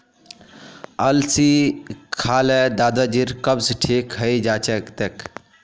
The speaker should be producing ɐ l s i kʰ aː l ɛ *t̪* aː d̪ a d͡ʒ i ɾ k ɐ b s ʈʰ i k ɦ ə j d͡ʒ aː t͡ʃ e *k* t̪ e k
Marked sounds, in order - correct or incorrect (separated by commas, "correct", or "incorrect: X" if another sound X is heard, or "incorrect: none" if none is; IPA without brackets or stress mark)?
incorrect: d̪, correct